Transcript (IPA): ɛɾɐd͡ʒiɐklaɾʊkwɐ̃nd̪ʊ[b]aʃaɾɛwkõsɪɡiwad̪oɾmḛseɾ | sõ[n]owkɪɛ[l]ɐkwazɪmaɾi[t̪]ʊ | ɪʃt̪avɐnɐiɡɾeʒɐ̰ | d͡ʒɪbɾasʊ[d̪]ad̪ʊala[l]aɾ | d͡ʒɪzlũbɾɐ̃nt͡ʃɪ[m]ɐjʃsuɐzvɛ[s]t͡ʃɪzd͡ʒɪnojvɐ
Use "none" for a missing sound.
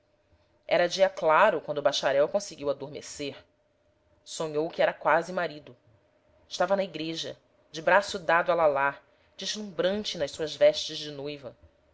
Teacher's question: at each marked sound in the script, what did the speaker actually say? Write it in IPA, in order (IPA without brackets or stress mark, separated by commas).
b, ɲ, ɾ, d̪, d̪, l, n, ʃ